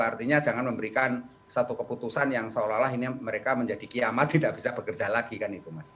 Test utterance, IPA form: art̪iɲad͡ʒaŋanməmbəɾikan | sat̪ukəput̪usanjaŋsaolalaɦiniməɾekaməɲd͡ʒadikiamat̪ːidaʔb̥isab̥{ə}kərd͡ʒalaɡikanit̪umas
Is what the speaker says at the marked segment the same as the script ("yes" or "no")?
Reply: yes